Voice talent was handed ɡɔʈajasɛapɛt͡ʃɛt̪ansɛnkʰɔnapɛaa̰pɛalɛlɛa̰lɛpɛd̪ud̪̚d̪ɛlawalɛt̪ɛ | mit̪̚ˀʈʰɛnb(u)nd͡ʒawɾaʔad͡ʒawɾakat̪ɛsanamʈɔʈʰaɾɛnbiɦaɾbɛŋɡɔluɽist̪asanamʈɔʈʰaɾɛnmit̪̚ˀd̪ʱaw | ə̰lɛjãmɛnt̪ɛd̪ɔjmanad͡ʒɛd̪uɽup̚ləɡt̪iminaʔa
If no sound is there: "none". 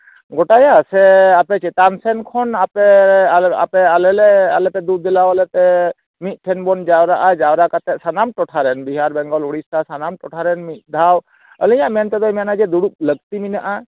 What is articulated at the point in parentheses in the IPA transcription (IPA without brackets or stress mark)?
ɔ